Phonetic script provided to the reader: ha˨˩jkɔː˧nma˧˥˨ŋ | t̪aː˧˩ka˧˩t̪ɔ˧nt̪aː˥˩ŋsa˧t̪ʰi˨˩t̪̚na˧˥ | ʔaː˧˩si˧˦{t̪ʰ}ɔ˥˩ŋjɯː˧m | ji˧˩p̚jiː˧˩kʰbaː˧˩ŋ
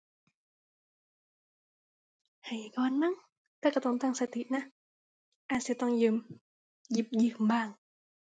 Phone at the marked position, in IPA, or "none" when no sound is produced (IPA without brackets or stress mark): t̪